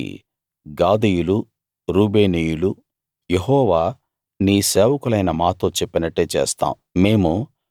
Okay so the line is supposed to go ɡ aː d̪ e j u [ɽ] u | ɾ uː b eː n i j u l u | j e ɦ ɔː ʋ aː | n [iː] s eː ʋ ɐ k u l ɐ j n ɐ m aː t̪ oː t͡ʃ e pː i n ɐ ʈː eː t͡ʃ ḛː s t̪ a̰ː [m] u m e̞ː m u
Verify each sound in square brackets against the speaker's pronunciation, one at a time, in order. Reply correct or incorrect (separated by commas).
incorrect, correct, correct